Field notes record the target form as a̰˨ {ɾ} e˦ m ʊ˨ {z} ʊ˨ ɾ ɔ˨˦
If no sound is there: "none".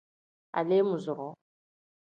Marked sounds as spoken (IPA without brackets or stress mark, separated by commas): l, z